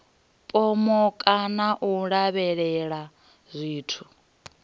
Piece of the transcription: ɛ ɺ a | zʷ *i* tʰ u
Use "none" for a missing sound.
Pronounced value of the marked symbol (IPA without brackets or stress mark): iː